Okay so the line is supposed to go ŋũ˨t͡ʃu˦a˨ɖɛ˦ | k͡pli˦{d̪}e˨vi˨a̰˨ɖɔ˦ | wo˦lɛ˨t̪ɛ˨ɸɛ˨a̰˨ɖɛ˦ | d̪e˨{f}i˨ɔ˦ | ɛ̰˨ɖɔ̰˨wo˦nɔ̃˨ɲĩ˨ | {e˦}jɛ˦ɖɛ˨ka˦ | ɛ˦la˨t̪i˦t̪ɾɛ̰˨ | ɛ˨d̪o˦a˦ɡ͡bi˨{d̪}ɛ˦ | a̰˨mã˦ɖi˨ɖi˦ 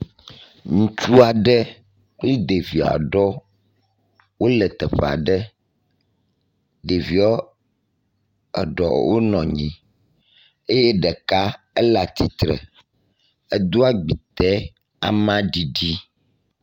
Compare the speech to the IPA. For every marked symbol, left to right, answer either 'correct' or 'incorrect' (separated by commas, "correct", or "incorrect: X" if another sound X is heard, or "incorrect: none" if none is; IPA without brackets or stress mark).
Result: correct, incorrect: v, correct, incorrect: t̪